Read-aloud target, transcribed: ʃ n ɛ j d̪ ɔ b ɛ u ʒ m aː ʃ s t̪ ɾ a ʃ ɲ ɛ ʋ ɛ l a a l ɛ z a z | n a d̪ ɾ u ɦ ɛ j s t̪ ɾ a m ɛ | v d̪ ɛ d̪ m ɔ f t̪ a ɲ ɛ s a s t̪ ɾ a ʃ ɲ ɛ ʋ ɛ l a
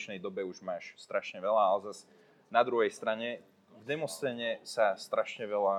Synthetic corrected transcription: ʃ n ɛ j d̪ ɔ b ɛ u ʒ m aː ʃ s t̪ ɾ a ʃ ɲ ɛ ʋ ɛ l a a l ɛ z a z | n a d̪ ɾ u ɦ ɛ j s t̪ ɾ a ɲ ɛ | v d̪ ɛ m ɔ s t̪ ɛ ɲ ɛ s a s t̪ ɾ a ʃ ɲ ɛ ʋ ɛ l a